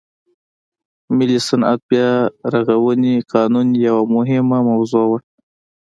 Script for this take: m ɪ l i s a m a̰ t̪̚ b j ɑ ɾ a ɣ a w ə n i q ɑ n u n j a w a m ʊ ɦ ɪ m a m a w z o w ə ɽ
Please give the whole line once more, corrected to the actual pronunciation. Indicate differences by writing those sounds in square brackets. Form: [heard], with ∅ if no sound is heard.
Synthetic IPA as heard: m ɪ l i s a [n] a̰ t̪̚ b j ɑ ɾ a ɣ a w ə n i q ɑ n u n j a w a m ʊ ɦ ɪ m a m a w z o w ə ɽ

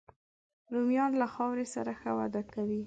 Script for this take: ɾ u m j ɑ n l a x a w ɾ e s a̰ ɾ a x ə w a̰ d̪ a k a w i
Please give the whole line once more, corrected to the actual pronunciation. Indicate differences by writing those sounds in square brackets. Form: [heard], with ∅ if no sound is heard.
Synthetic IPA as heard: ɾ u m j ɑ n l a x [ɑ] w ɾ e s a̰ ɾ a x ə w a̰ d̪ a k a w i

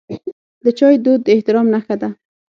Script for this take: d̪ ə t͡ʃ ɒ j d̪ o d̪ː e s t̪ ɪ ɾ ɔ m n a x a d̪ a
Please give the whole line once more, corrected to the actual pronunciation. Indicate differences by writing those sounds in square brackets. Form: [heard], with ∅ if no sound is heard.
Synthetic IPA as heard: d̪ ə t͡ʃ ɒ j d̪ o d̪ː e [h] t̪ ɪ ɾ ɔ m n a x a d̪ a

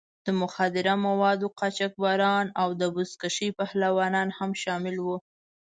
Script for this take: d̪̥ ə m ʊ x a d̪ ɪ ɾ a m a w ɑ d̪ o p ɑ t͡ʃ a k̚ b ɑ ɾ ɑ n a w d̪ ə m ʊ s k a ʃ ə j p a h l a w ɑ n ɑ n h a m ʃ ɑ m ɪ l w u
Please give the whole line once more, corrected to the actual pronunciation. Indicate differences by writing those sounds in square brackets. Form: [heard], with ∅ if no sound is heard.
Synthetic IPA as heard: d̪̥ ə m ʊ x a d̪ ɪ ɾ a m a w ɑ d̪ o [q] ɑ t͡ʃ a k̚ b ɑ ɾ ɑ n a w d̪ ə [b] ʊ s k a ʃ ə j p a h l a w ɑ n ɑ n h a m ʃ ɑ m ɪ l w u

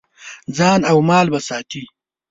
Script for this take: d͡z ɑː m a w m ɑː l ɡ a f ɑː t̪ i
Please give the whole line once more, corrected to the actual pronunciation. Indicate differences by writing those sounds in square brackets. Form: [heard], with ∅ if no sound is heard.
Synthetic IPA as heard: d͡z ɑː [n] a w m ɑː l [b] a [s] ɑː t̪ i

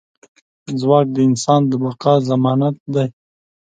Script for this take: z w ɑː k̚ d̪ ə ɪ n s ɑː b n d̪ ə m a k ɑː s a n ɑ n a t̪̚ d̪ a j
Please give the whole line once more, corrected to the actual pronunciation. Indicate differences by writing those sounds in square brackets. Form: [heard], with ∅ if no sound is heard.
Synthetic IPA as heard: z w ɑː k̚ d̪ ə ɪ n s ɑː [∅] n d̪ ə [b] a [q] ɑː [z] a [m] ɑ n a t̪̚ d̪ a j

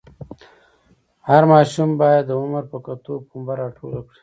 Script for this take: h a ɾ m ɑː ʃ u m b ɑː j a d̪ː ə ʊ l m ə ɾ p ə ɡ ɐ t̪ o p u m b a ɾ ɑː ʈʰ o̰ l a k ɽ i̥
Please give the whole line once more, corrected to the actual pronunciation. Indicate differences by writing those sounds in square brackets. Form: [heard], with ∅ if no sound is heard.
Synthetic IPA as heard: h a ɾ m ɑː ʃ u m b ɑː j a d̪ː ə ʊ [∅] m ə ɾ p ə [k] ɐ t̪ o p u m b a ɾ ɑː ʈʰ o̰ l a k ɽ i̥

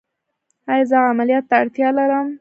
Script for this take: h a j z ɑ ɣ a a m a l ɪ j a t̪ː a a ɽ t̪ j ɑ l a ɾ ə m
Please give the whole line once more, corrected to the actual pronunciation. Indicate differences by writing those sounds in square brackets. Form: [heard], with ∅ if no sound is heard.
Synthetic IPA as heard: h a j z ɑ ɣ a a m a l [i] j [ɑ] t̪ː a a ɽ t̪ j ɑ l a ɾ ə m

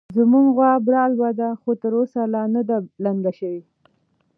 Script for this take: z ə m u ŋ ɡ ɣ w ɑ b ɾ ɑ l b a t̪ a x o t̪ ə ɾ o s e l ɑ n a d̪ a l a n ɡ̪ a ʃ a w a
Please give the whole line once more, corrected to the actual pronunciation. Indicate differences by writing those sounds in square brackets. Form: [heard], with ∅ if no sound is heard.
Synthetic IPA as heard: z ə m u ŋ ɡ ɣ w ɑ b ɾ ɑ l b a [d̪] a x o t̪ ə ɾ o s [a] l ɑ n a d̪ a l a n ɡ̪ a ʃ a w [i]

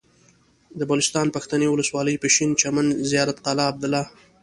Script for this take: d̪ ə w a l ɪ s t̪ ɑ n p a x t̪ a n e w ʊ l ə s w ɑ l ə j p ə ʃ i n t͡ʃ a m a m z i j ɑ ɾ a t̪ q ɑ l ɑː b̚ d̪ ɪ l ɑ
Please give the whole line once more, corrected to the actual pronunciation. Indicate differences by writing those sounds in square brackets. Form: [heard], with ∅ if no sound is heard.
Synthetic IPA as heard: d̪ ə [b] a l ɪ s t̪ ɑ n p a x t̪ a n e w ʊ l ə s w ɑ l ə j p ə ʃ i n t͡ʃ a m a [n] z i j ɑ ɾ a t̪ q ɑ l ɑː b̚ d̪ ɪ l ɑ

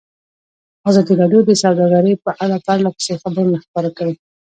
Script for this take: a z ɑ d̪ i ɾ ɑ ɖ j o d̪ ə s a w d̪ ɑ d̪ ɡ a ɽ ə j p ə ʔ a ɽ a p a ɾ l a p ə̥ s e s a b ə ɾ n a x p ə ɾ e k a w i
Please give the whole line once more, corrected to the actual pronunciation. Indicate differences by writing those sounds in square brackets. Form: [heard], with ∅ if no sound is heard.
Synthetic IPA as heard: a z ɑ d̪ i ɾ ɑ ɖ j o d̪ ə s a w d̪ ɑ [∅] ɡ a [ɾ] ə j p ə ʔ a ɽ a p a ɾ l a p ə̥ s e [x] a b ə ɾ n a x p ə ɾ [a] k a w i

